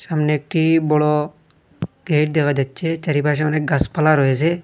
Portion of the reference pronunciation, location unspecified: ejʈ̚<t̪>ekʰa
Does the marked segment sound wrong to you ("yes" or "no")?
yes